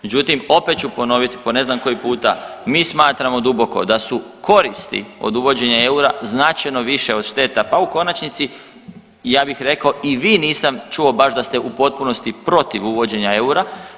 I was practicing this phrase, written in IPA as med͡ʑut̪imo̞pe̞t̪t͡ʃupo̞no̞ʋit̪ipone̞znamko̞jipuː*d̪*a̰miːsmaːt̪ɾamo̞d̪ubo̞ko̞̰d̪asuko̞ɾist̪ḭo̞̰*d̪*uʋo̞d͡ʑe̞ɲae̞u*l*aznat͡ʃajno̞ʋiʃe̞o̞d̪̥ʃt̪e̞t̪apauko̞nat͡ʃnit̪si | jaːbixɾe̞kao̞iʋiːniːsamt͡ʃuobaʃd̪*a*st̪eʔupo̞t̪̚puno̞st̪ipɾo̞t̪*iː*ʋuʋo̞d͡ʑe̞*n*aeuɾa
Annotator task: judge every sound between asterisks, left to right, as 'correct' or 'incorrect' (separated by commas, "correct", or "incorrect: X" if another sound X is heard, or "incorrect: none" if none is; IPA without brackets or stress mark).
incorrect: t̪, correct, incorrect: ɾ, correct, incorrect: i, incorrect: ɲ